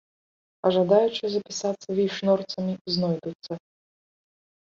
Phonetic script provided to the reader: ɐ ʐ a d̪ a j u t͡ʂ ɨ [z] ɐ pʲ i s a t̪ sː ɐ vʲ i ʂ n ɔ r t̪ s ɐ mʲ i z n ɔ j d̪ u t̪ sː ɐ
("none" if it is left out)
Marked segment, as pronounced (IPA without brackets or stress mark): z